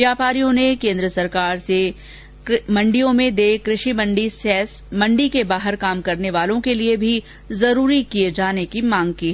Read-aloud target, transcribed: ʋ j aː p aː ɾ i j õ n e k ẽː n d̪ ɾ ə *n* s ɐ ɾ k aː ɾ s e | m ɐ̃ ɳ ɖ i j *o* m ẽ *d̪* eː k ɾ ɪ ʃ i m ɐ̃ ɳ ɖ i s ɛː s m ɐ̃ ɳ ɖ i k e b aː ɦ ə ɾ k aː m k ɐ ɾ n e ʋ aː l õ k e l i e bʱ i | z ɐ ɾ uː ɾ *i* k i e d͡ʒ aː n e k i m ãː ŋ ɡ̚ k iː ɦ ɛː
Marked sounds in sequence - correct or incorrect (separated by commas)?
incorrect, incorrect, correct, correct